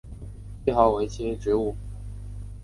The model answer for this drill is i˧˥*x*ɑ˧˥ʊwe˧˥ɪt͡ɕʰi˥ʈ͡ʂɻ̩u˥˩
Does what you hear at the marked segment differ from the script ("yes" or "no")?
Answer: no